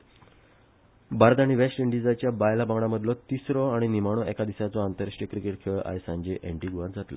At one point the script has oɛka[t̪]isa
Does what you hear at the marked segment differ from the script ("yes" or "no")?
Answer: yes